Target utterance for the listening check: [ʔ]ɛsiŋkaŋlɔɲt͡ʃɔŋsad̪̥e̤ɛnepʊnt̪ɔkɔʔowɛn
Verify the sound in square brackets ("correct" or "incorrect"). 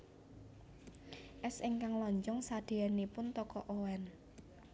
correct